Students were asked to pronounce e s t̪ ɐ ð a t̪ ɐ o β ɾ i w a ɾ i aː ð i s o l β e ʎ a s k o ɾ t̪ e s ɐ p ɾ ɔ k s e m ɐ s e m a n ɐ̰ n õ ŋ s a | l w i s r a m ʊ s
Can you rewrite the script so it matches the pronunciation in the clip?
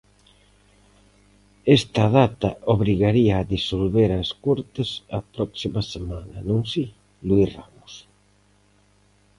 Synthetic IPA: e s t̪ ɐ ð a t̪ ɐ o β ɾ i ɣ a ɾ i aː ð i s o l β e ɾ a s k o ɾ t̪ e s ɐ p ɾ ɔ k s i m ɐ s e m a n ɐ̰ n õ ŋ s i | l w i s r a m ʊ s

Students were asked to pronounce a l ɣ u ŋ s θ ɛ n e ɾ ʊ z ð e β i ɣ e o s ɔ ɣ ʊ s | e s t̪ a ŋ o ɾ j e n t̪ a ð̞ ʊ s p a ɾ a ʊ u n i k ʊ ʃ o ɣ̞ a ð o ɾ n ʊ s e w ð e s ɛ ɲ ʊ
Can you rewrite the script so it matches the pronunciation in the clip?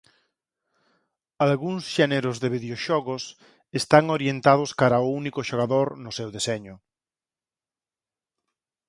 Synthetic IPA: a l ɣ u ŋ s ʃ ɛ n e ɾ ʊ z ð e β i ð e o ʃ ɔ ɣ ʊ s | e s t̪ a ŋ o ɾ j e n t̪ a ð̞ ʊ s k a ɾ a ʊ u n i k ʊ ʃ o ɣ̞ a ð o ɾ n ʊ s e w ð e s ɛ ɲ ʊ

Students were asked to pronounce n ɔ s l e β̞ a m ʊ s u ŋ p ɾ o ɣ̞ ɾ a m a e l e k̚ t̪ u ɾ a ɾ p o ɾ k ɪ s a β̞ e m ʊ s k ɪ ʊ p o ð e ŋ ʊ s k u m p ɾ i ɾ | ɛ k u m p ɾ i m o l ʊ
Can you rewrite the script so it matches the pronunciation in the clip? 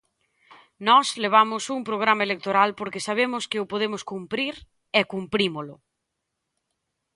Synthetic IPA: n ɔ s l e β̞ a m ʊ s u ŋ p ɾ o ɣ̞ ɾ a m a e l e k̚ t̪ o ɾ a l p o ɾ k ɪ s a β̞ e m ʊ s k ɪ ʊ p o ð e m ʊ s k u m p ɾ i ɾ | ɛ k u m p ɾ i m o l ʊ

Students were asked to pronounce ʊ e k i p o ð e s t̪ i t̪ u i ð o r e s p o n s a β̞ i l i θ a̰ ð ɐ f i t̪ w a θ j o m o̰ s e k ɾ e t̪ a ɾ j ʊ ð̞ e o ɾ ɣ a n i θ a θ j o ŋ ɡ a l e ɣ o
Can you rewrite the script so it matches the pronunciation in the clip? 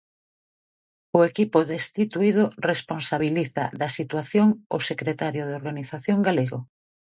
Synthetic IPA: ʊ e k i p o ð e s t̪ i t̪ u i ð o r e s p o n s a β̞ i l i θ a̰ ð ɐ s i t̪ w a θ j o ŋ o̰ s e k ɾ e t̪ a ɾ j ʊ ð̞ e o ɾ ɣ a n i θ a θ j o ŋ ɡ a l e ɣ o

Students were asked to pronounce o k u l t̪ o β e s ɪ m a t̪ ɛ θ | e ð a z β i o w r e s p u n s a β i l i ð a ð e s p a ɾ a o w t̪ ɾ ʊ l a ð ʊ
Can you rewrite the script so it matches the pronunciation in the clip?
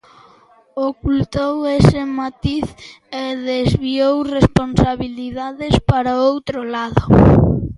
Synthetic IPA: o k u l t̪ o w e s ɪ m a t̪ i θ | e ð e z β i o w r e s p o n s a β i l i ð a ð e s p a ɾ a o w t̪ ɾ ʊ l a ð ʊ

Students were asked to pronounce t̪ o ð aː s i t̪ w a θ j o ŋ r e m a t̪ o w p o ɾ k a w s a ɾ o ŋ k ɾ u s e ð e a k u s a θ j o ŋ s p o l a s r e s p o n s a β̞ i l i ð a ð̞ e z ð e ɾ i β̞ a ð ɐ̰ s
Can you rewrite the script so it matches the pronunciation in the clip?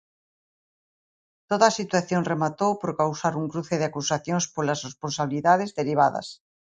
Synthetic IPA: t̪ o ð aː s i t̪ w a θ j o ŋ r e m a t̪ o w p o ɾ k a w s a ɾ u ŋ k ɾ u θ e ð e a k u s a θ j o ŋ s p o l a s r e s p o n s a β̞ i l i ð a ð̞ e z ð e ɾ i β̞ a ð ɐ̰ s

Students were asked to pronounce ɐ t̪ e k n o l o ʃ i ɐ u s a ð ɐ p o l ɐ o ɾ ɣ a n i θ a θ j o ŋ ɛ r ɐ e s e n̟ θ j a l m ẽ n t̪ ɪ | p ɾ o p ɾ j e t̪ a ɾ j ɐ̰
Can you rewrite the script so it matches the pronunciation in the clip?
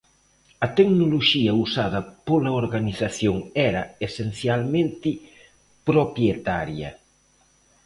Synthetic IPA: ɐ t̪ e k n o l o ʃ i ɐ u s a ð ɐ p o l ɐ o ɾ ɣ a n i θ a θ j o ŋ ɛ ɾ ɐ e s e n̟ θ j a l m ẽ n t̪ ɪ | p ɾ o p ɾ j e t̪ a ɾ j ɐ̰

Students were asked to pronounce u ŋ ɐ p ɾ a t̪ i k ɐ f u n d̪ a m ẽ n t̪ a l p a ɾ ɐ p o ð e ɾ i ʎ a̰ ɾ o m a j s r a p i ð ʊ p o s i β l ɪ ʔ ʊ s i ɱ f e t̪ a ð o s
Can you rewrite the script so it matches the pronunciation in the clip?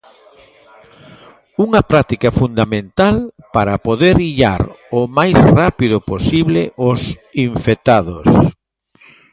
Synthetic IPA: u ŋ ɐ p ɾ a t̪ i k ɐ f u n d̪ a m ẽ n t̪ a l p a ɾ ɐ p o ð e ɾ i ʎ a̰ ɾ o m a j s r a p i ð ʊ p o s i β l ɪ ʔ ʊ s i ɱ f e t̪ a ð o s

